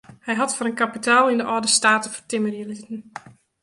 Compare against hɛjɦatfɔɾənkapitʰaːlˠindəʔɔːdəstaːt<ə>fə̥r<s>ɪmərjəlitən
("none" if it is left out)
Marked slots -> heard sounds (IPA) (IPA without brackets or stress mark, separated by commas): ə, t